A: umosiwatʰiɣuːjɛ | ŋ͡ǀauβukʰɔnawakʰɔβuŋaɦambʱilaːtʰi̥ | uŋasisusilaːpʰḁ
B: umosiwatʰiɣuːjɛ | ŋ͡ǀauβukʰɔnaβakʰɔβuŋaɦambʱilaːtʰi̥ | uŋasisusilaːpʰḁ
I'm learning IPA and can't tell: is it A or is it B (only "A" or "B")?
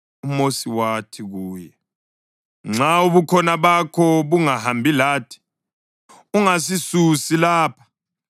B